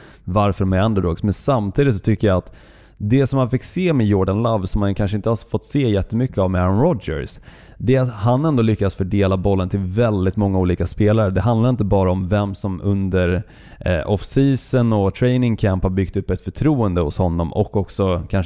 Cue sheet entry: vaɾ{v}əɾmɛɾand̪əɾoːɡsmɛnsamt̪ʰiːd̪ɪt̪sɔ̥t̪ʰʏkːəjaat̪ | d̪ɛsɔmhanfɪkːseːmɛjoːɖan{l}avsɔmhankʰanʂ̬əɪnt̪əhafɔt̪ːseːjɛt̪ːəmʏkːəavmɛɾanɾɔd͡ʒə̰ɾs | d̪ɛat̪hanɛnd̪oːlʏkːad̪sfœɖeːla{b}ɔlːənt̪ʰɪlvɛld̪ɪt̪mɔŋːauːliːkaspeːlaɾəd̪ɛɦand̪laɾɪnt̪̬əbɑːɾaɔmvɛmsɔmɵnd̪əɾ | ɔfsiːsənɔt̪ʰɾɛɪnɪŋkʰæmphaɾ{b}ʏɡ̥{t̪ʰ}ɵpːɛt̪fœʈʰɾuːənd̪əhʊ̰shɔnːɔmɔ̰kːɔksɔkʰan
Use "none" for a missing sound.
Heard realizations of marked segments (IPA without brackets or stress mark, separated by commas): f, l, b, b, t̪